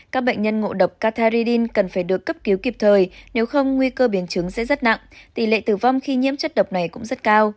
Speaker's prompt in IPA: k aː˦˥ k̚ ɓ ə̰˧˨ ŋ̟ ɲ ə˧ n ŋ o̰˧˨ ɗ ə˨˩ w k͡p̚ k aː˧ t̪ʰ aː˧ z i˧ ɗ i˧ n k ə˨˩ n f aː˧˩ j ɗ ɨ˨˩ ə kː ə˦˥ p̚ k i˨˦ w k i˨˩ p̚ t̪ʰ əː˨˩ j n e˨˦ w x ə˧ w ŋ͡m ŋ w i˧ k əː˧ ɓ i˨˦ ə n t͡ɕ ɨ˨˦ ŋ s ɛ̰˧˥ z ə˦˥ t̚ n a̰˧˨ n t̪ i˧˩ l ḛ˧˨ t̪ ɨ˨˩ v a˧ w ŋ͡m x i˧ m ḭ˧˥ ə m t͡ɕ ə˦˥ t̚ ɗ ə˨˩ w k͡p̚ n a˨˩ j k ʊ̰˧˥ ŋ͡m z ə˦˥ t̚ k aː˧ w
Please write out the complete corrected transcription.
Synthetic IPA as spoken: k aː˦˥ k̚ ɓ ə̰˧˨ ŋ̟ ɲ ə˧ n ŋ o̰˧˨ ɗ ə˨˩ w k͡p̚ k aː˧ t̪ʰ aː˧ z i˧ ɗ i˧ n k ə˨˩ n f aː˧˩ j ɗ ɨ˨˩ ə kː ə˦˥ p̚ k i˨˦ w k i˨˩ p̚ t̪ʰ əː˨˩ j n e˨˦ w x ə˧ w ŋ͡m ŋ w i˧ k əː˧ ɓ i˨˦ ə n t͡ɕ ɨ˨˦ ŋ s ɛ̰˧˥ z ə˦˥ t̚ n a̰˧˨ ŋ t̪ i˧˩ l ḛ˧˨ t̪ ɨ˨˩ v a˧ w ŋ͡m x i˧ ɲ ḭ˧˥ ə m t͡ɕ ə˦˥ t̚ ɗ ə˨˩ w k͡p̚ n a˨˩ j k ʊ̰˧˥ ŋ͡m z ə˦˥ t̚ k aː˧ w

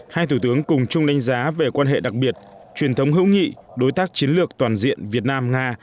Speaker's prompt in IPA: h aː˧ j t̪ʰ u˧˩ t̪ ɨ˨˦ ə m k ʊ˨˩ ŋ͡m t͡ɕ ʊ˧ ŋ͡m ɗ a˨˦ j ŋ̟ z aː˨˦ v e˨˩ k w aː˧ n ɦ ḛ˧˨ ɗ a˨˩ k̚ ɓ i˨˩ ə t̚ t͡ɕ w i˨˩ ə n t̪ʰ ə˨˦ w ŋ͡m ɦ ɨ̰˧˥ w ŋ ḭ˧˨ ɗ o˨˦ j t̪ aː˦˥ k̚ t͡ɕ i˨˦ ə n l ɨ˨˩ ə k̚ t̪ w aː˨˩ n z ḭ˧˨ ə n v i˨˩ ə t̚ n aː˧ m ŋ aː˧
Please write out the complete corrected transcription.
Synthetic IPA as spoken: h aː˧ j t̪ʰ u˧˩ t̪ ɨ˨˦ ə ŋ k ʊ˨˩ ŋ͡m t͡ɕ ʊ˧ ŋ͡m ɗ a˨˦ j ŋ̟ z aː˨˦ v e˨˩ k w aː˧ n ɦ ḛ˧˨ ɗ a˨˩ k̚ ɓ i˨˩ ə t̚ t͡ɕ w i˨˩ ə n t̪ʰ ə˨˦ w ŋ͡m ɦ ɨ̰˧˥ w ŋ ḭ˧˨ ɗ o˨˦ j t̪ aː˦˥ k̚ t͡ɕ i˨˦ ə n l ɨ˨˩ ə k̚ t̪ w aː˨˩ n z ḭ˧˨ ə n v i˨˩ ə t̚ n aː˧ m ŋ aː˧

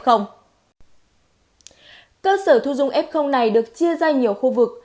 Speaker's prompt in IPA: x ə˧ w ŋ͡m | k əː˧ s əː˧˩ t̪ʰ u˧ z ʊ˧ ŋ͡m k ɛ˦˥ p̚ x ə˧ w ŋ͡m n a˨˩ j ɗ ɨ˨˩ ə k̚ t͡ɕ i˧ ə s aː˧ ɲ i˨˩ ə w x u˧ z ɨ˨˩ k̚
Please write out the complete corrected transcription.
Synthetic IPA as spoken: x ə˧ w ŋ͡m | k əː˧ s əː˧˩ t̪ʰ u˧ z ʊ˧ ŋ͡m ʔ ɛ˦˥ p̚ x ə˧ w ŋ͡m n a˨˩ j ɗ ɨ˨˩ ə k̚ t͡ɕ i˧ ə z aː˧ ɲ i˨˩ ə w x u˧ v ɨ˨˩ k̚

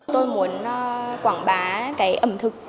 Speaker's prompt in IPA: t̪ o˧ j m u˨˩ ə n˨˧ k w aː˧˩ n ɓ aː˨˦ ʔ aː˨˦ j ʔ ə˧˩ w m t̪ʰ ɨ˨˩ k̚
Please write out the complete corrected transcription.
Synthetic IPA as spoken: t̪ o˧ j m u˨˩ ə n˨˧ k w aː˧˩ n ɓ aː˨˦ k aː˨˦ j ʔ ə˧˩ m t̪ʰ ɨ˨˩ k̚

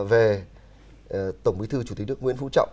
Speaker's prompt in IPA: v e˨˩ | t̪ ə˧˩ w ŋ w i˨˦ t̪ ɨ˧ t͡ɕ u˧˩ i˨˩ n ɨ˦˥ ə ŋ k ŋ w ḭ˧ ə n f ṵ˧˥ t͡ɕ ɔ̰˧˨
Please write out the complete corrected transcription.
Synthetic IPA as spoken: v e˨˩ | t̪ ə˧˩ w ŋ͡m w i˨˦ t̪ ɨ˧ t͡ɕ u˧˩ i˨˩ n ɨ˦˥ ə k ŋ w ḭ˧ ə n f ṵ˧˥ t͡ɕ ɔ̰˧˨

